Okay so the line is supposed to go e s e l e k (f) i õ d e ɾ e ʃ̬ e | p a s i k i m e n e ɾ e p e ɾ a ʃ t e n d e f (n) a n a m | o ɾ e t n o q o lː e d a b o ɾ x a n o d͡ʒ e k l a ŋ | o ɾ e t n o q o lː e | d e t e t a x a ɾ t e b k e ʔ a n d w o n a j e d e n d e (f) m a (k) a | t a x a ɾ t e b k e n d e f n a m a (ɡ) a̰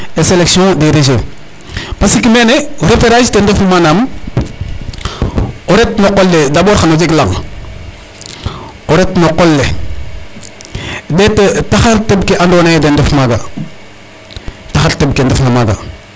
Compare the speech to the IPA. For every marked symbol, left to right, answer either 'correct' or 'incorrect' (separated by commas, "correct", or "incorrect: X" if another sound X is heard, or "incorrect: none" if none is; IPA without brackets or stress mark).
incorrect: s, incorrect: m, correct, incorrect: ɡ, correct